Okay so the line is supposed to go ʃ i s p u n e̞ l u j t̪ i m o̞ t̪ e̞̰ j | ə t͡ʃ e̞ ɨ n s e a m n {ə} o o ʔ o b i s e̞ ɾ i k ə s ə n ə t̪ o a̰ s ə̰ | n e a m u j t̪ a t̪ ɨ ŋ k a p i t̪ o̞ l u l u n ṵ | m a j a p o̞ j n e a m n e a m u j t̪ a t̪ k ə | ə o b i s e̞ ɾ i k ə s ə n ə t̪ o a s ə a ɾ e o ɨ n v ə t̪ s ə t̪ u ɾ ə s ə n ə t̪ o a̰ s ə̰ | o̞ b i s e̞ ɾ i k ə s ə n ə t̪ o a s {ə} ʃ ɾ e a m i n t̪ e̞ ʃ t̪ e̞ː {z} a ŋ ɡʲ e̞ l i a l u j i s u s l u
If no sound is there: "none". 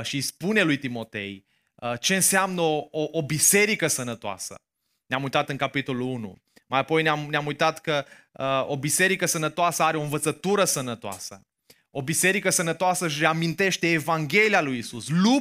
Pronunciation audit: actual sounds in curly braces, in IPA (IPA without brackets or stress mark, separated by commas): ə, ə, v